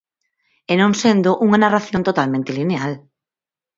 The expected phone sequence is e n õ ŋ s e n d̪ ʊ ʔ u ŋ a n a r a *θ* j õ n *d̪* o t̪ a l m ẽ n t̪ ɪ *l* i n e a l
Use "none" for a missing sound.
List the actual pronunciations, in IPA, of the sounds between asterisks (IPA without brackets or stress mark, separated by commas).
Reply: θ, t̪, l